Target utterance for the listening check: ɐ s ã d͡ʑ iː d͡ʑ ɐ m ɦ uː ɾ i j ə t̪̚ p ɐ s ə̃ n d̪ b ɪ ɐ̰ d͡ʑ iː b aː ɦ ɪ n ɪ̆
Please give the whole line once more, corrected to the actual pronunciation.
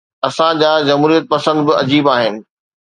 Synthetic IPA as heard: ɐ s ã d͡ʑ aː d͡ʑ ɐ m ɦ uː ɾ i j ə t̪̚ p ɐ s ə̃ n d̪ b ɪ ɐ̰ d͡ʑ iː b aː ɦ ɪ n ɪ̆